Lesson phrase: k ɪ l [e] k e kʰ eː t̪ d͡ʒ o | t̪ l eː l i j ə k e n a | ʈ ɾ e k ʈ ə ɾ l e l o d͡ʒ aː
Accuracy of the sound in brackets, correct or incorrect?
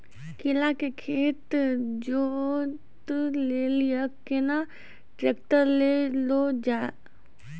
incorrect